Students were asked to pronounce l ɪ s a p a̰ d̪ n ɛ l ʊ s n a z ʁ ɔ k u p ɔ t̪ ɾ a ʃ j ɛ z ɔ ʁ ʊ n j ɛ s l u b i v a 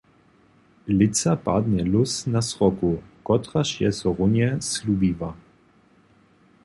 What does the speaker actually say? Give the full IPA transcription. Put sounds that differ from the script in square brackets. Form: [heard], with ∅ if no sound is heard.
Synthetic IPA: l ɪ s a p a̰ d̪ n ɛ l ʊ s n a [s] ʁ ɔ k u [k] ɔ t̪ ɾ a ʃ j ɛ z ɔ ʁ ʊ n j ɛ s l u b i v a

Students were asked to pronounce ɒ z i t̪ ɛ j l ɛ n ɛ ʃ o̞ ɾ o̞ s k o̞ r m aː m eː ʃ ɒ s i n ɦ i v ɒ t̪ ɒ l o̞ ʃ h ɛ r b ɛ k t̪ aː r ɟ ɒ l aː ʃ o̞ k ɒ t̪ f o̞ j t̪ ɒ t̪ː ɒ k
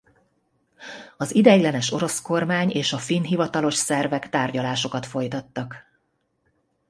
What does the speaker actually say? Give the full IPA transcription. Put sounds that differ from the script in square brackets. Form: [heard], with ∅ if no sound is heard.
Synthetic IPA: ɒ z i [d̪] ɛ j l ɛ n ɛ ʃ o̞ ɾ o̞ s k o̞ r m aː [ɲ] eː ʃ ɒ [f] i n ɦ i v ɒ t̪ ɒ l o̞ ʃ [s] ɛ r [v] ɛ k t̪ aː r ɟ ɒ l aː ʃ o̞ k ɒ t̪ f o̞ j t̪ ɒ t̪ː ɒ k

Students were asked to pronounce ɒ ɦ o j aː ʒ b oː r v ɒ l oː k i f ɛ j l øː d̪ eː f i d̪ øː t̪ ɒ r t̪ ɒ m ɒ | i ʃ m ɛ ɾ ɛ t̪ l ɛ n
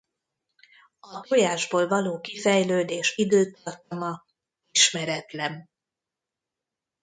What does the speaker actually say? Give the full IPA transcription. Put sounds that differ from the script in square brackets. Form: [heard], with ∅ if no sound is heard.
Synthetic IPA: ɒ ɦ o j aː ʒ b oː [l] v ɒ l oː k i f ɛ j l øː d̪ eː [ʃ] i d̪ øː t̪ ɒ r t̪ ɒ m ɒ | i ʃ m ɛ ɾ ɛ t̪ l ɛ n

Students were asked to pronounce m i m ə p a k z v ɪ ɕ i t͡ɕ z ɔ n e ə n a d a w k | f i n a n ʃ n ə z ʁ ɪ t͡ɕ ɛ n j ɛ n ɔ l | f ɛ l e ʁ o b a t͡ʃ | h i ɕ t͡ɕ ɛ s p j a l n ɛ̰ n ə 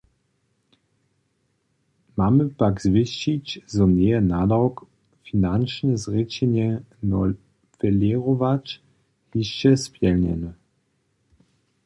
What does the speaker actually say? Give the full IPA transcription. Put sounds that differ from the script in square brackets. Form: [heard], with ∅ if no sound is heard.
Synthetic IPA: m [a] m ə p a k z v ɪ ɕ i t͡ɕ z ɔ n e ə n a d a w k | f i n a n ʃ n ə z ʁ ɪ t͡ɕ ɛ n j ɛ n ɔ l | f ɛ l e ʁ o [v] a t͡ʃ | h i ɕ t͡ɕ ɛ s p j [ɛ] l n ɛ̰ n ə

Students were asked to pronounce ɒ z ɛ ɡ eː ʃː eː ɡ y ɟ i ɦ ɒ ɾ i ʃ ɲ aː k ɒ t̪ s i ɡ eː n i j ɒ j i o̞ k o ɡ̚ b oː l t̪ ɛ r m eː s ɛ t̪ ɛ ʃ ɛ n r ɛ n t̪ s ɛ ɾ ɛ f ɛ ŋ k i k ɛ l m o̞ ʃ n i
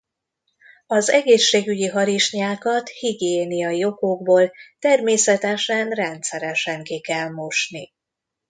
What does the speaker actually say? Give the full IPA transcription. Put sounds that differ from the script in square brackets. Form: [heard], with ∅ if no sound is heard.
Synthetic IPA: ɒ z ɛ ɡ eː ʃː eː ɡ y ɟ i ɦ ɒ ɾ i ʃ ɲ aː k ɒ t̪ [h] i ɡ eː n i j ɒ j i o̞ k o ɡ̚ b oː l t̪ ɛ r m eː s ɛ t̪ ɛ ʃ ɛ n r ɛ n t̪ s ɛ ɾ ɛ [ʃ] ɛ ŋ k i k ɛ l m o̞ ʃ n i

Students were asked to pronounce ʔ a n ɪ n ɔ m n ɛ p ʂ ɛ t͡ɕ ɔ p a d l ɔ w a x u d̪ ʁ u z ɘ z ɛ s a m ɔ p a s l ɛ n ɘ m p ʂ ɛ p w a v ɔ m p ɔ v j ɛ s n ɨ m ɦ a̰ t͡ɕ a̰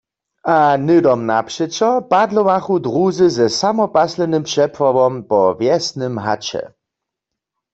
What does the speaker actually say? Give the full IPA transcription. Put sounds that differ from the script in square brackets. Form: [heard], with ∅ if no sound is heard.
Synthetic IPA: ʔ a n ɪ [d] ɔ m n [a] p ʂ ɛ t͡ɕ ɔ p a d l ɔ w a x u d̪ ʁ u z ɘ z ɛ s a m ɔ p a s l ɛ n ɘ m p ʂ ɛ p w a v ɔ m p ɔ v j ɛ s n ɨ m ɦ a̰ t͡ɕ [ɛ̰]

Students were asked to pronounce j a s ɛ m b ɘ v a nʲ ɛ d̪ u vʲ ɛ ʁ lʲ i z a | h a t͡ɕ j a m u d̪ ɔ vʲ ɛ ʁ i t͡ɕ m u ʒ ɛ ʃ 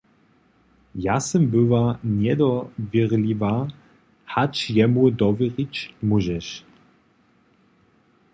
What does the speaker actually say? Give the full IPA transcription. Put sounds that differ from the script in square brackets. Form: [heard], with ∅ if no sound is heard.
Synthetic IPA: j a s ɛ m b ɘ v a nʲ ɛ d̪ [ɔ] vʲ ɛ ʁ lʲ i [v] a | h a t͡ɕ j [ɛ] m u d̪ ɔ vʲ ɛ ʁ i t͡ɕ m u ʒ ɛ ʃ

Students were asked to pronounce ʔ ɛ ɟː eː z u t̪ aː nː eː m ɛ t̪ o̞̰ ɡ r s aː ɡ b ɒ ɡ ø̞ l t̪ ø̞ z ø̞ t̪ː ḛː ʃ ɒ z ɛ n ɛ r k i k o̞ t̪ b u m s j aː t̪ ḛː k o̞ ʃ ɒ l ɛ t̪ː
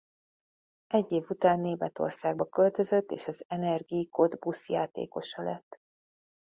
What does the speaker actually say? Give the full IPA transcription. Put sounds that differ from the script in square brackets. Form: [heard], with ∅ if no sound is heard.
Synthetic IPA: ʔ ɛ ɟː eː [v] u t̪ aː nː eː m ɛ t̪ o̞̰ [∅] r s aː ɡ b ɒ [k] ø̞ l t̪ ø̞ z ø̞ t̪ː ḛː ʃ ɒ z ɛ n ɛ r [ɡ] i k o̞ [d̪] b u [∅] s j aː t̪ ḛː k o̞ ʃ ɒ l ɛ t̪ː

